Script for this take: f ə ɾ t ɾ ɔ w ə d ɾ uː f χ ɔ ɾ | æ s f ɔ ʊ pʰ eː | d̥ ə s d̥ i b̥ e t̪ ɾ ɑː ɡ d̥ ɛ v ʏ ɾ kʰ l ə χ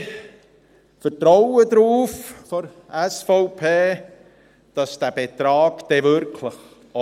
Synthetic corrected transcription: f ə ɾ t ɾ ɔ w ə d ɾ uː f f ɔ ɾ | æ s f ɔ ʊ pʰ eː | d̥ ɑ s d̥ æ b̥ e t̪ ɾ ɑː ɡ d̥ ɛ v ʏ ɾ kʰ l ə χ

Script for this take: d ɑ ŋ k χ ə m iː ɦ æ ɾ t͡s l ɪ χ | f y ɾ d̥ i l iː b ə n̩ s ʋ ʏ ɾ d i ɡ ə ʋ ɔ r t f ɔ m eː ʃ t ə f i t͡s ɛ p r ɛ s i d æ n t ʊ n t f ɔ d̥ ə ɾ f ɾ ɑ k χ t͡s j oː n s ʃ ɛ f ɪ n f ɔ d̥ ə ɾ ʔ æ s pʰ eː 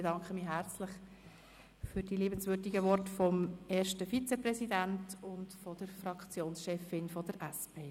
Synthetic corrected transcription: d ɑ ŋ k χ ə m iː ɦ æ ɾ t͡s l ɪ χ | f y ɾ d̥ i l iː b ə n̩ s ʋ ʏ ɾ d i ɡ ə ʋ ɔ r t f ɔ m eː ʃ t ə f i t͡s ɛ p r ɛ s i d æ n t ʊ n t f ɔ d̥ ə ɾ f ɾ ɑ k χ t͡s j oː n s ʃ ɛ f ɪ n f ɔ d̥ ə ɾ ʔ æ s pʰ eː

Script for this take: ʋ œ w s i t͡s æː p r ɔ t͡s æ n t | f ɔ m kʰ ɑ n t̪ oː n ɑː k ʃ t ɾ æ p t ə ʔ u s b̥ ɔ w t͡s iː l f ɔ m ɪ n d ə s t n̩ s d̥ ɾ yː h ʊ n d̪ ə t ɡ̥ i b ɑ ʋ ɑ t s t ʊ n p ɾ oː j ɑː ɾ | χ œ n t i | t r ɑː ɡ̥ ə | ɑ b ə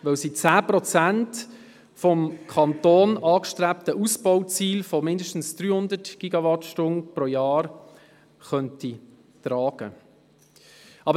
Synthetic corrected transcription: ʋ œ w s i t͡s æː p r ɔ t͡s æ n t | f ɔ m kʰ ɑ n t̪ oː n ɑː k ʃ t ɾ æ p t ə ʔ u s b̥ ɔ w t͡s iː l f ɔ m ɪ n d ə ʃ t n̩ s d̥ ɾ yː h ʊ n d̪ ə t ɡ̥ i ɡ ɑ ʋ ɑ t ʃ t ʊ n p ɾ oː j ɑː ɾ | χ œ n t i | t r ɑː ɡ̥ ə | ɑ b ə

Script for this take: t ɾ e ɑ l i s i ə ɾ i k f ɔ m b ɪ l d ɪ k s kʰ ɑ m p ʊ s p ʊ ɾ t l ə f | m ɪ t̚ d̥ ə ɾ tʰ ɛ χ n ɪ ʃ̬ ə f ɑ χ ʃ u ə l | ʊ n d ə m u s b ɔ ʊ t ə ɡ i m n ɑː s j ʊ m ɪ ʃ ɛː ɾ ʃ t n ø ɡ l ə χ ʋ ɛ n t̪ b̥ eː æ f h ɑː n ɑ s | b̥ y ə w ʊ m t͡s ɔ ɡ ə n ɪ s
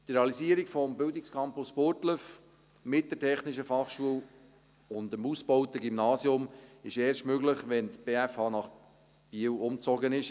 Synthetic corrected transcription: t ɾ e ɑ l i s i ə ɾ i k f ɔ m b ɪ l d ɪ k s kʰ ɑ m p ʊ s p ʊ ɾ t l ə f | m ɪ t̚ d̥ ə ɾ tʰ ɛ χ n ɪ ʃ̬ ə f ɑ χ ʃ u ə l | ʊ n d ə m u s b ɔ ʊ t ə ɡ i m n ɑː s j ʊ m ɪ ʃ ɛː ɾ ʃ t m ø ɡ l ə χ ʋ ɛ n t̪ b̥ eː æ f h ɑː n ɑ χ | b̥ i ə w ʊ m t͡s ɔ ɡ ə n ɪ ʃ

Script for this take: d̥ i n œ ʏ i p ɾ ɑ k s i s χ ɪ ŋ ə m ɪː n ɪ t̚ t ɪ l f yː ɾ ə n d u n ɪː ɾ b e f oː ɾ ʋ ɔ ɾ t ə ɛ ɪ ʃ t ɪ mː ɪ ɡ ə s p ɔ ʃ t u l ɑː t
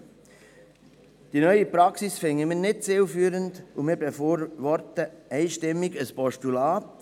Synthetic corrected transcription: d̥ i n œ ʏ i p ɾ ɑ k s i s f ɪ ŋ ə m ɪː n ɪ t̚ t͡s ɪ l f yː ɾ ə n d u m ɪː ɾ b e f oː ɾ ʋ ɔ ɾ t ə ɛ ɪ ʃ t ɪ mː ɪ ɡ ə s p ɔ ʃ t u l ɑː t

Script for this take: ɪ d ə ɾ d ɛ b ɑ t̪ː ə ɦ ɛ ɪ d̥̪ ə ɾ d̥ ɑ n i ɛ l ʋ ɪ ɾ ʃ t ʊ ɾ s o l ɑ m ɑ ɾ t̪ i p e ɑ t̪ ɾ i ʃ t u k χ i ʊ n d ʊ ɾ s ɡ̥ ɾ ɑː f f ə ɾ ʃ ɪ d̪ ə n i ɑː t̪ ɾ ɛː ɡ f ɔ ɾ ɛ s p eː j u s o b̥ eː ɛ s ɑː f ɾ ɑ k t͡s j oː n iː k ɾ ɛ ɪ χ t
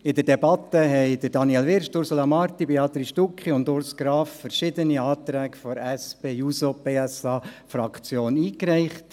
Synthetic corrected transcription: ɪ d ə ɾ d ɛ b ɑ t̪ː ə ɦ ɛ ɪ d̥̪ ə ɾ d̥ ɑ n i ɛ l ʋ ɪ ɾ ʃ t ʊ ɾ s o l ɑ m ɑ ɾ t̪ i b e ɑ t̪ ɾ i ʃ t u k χ i ʊ n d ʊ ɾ s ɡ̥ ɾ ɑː f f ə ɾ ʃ ɪ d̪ ə n i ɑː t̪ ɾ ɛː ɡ f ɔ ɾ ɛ s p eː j u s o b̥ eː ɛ s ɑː f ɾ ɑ k t͡s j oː n iː k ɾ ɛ ɪ χ t

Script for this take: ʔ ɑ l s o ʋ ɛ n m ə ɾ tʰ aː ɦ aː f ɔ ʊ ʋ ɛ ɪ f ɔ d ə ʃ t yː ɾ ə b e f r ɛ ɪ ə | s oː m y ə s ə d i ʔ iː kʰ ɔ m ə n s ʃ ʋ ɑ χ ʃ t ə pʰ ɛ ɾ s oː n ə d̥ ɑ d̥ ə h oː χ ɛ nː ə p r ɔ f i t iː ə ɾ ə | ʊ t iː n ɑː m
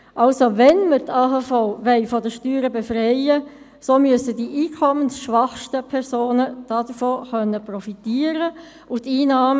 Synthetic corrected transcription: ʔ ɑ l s o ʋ ɛ n m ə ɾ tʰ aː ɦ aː f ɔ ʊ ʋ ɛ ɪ f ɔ d ə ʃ t yː ɾ ə b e f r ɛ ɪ ə | s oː m y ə s ə d i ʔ iː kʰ ɔ m ə n s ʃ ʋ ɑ χ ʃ t ə pʰ ɛ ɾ s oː n ə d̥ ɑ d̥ ə f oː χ œ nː ə p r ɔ f i t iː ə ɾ ə | ʊ t iː n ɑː m

